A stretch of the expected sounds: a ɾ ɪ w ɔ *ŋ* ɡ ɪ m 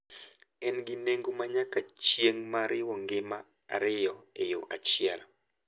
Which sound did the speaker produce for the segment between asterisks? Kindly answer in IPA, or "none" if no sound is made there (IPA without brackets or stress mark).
ŋ